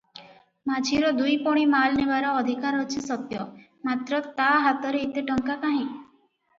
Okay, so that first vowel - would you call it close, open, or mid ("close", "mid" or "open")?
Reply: open